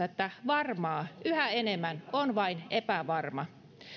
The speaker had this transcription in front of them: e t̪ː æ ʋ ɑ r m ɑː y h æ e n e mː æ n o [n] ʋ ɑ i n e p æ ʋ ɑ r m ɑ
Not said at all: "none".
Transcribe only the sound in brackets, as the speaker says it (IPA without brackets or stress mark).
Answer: n